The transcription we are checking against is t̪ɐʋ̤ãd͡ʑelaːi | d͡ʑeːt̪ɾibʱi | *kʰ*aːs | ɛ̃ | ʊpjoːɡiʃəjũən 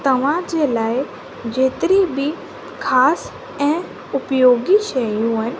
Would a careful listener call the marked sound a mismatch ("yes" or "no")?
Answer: no